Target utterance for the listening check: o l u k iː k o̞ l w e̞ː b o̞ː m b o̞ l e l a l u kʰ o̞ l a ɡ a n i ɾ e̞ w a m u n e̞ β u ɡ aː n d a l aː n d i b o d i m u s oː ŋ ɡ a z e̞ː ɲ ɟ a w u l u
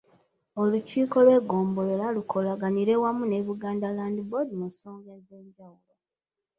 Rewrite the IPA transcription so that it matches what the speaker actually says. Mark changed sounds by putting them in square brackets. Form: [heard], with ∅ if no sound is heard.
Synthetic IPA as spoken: o l u [c] iː k o̞ l w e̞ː [ɡ] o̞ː m b o̞ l e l a l u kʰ o̞ l a ɡ a n i ɾ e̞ w a m u n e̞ β u ɡ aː n d a l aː n d i b o d i m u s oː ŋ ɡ a z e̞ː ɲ ɟ a w u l [o]

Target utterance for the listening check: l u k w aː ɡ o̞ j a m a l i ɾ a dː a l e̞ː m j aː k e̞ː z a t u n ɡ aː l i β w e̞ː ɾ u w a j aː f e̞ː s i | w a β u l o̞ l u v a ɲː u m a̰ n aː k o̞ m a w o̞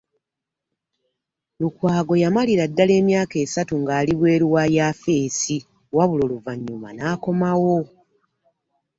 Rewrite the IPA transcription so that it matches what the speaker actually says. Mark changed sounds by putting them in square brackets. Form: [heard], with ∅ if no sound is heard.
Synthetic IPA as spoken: l u k w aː ɡ o̞ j a m a l i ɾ a dː a l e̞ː m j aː k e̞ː [s] a t u [ŋ] ɡ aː l i β w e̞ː ɾ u w a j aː f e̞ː s i | w a β u l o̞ l u v a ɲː u m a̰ n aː k o̞ m a w o̞

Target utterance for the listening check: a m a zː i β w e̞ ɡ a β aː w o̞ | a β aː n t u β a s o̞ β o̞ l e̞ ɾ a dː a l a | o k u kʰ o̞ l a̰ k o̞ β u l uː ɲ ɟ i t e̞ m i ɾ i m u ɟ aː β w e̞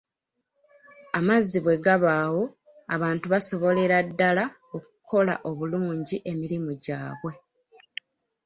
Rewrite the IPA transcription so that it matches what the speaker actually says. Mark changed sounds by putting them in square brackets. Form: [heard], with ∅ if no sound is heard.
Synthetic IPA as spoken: a m a zː i β w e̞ ɡ a β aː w o̞ | a β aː n t u β a s o̞ β o̞ l e̞ ɾ a dː a l a | o k u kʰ o̞ l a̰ [ʔ] o̞ β u l uː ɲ ɟ i [ʔ] e̞ m i ɾ i m u ɟ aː β w e̞

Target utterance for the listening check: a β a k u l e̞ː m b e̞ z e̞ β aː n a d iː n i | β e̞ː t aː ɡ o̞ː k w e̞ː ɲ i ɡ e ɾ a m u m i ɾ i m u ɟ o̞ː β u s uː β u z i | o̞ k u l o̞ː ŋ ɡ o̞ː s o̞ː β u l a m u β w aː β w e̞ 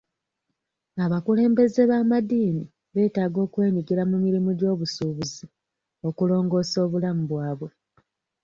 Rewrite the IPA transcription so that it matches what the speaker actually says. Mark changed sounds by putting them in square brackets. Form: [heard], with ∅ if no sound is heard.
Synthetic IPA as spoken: a β a k u l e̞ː m b e̞ z e̞ β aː [m] a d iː n i | β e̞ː t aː ɡ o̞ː k w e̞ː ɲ i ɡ [i] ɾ a m u m i ɾ i m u ɟ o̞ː β u s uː β u z i | o̞ k u l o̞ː ŋ ɡ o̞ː s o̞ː β u l a m u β w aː β w e̞

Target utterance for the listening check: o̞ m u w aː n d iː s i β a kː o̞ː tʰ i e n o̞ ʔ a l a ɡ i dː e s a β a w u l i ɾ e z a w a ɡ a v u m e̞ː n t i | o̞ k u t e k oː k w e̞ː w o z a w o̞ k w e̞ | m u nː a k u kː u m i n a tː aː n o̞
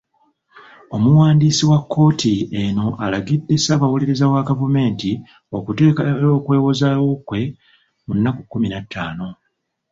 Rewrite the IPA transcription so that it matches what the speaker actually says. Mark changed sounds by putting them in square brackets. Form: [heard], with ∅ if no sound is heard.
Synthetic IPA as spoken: o̞ m u w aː n d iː s i [w] a kː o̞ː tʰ i e n o̞ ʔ a l a ɡ i dː e s a β a w u l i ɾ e z a w a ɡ a v u m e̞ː n t i | o̞ k u t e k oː k w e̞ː w o z a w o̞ k w e̞ | m u nː a k u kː u m i n a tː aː n o̞

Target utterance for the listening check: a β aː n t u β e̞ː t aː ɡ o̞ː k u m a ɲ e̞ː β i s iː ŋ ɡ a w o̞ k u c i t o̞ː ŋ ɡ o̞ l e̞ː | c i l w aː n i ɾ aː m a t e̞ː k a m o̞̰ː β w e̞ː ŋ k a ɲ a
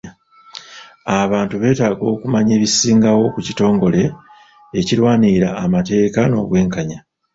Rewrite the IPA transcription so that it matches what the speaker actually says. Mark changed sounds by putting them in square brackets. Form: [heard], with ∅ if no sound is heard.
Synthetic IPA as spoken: a β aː n t u β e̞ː t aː ɡ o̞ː k u m a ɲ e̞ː β i s iː ŋ ɡ a w o̞ k u c i t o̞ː ŋ ɡ o̞ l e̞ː | c i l w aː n i ɾ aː m a t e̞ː k a [n] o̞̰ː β w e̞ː ŋ k a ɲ a

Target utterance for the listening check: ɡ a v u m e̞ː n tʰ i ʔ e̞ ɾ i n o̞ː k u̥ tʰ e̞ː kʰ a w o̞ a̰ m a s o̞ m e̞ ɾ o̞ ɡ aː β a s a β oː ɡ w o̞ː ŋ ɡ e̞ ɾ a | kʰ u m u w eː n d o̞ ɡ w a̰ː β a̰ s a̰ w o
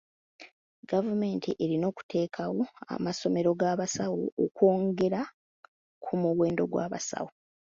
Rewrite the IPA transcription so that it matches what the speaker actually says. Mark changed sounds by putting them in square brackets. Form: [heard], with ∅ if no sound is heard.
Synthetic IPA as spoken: ɡ a v u m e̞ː n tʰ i ʔ e̞ ɾ i n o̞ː k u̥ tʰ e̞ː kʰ a w o̞ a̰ m a s o̞ m e̞ ɾ o̞ ɡ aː β a s a [w] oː [k] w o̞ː ŋ ɡ e̞ ɾ a | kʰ u m u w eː n d o̞ ɡ w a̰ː β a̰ s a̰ w o

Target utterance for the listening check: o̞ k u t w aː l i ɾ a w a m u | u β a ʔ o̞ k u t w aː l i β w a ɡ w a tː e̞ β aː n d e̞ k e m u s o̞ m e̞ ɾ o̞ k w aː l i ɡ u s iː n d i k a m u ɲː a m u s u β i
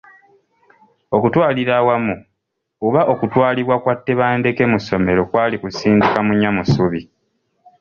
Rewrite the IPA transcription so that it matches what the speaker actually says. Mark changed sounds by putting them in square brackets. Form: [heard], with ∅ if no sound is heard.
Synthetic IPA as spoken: o̞ k u t w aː l i ɾ a w a m u | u β a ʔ o̞ k u t w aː l i β w a [k] w a tː e̞ β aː n d e̞ k e m u s o̞ m e̞ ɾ o̞ k w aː l i [k] u s iː n d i k a m u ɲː a m u s u β i

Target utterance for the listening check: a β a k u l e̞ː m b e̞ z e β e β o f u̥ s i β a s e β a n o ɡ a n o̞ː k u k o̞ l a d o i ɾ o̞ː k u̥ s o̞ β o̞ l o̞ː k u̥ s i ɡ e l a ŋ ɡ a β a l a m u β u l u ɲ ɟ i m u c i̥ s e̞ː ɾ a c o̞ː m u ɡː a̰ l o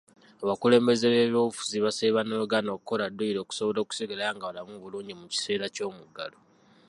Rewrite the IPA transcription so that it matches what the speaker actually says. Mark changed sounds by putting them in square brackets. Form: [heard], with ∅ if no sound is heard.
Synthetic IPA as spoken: a β a k u l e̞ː m b e̞ z e β e β o f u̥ [z] i β a s e β a n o ɡ a n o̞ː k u k o̞ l a d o i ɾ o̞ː k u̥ s o̞ β o̞ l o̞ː k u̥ s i ɡ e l a ŋ ɡ a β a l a m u β u l [uː] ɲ ɟ i m u c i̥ s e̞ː ɾ a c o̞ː m u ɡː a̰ l o

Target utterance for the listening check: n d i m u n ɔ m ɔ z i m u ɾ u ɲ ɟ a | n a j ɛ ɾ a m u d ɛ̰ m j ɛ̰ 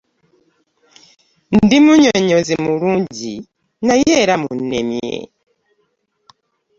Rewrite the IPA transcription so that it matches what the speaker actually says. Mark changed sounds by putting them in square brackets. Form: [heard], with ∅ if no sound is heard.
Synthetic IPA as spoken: n d i m u [ɲ] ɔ [ɲ] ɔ z i m u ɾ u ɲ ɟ [i] | n a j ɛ ɾ a m u [n] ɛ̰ m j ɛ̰

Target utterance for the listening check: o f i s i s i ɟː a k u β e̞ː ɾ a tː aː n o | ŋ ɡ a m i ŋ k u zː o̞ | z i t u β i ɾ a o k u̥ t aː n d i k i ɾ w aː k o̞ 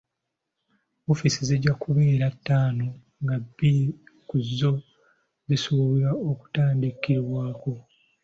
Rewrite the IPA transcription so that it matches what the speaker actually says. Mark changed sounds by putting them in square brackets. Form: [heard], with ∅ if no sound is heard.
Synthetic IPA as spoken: o f i s i [z] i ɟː a k u β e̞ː ɾ a tː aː n o | ŋ ɡ a [b] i [∅] k u zː o̞ | z i [s] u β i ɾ a o k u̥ t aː n d i k i ɾ w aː k o̞

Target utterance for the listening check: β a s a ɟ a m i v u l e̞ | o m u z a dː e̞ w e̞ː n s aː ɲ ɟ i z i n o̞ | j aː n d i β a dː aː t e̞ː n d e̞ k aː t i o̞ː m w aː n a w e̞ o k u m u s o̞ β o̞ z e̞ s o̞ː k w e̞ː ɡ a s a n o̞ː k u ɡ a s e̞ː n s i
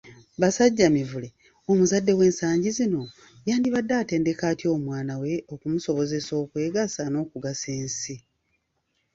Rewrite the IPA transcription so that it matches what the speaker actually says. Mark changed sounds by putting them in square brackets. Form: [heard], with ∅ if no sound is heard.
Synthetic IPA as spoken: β a s a [ɟː] a m i v u l e̞ | o m u z a dː e̞ w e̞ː n s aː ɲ ɟ i z i n o̞ | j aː n d i β a dː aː t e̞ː n d e̞ k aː t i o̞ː m w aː n a w e̞ o k u m u s o̞ β o̞ z e̞ s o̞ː k w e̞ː ɡ a s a n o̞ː k u ɡ a s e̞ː n s i

